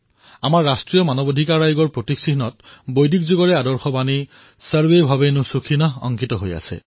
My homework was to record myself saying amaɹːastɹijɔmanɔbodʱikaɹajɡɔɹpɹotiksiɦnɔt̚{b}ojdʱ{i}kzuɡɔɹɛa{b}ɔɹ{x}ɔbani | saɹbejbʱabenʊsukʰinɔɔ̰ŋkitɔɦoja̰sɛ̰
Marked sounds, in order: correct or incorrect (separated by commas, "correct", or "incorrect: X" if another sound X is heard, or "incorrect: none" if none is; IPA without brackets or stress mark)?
correct, correct, incorrect: d, correct